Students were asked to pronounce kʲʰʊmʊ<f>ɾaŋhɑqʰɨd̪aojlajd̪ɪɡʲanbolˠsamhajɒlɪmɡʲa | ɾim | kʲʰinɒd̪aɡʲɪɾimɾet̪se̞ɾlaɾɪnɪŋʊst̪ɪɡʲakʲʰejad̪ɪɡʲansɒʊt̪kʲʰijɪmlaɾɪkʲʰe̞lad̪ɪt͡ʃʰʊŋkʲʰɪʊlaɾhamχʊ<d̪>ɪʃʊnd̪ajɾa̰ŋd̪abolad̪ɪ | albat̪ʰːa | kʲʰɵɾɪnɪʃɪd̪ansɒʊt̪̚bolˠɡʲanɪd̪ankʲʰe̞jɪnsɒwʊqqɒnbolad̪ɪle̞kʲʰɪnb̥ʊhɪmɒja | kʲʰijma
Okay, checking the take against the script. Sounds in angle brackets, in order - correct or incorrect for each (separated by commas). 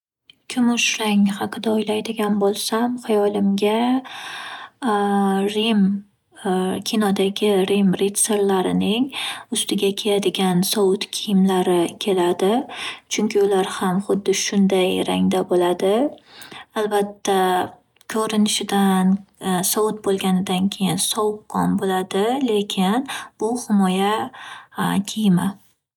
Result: incorrect, incorrect